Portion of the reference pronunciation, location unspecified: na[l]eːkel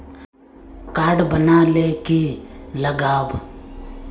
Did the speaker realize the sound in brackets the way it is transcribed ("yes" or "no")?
yes